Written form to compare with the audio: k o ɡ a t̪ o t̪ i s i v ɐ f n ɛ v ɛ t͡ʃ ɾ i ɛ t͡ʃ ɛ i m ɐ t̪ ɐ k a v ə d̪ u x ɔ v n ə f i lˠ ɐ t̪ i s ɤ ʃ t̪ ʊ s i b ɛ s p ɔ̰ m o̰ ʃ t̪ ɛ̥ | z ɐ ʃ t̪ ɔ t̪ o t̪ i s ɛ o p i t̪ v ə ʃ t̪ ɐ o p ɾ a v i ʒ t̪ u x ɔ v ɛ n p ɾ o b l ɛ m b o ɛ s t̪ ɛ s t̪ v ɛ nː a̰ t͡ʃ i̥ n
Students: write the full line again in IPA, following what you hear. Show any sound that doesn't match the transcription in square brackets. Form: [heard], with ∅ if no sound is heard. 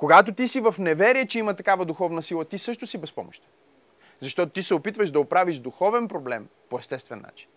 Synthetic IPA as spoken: k o ɡ a t̪ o t̪ i s i v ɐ f n ɛ v ɛ [∅] ɾ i ɛ t͡ʃ ɛ i m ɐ t̪ ɐ k a v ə d̪ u x ɔ v n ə [s] i lˠ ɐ t̪ i s ɤ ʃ t̪ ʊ s i b ɛ s p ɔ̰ m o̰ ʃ t̪ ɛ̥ | z ɐ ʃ t̪ ɔ t̪ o t̪ i s ɛ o p i t̪ v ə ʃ [d̪] ɐ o p ɾ a v i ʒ [d̪] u x ɔ v ɛ n p ɾ o b l ɛ m [p] o ɛ s t̪ ɛ s t̪ v ɛ nː a̰ t͡ʃ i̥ n